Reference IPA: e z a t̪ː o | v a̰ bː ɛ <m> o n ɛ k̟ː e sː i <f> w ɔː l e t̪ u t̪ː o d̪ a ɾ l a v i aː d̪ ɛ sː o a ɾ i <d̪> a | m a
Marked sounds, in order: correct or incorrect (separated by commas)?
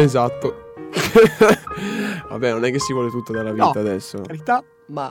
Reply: incorrect, incorrect, incorrect